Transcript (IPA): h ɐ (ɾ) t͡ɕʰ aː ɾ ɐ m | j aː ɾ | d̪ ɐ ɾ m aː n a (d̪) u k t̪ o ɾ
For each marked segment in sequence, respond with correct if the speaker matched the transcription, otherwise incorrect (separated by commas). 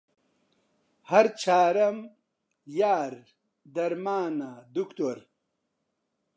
correct, correct